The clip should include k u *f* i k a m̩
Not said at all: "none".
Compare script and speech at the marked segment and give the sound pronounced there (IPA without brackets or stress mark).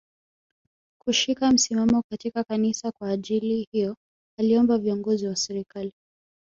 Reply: ʃ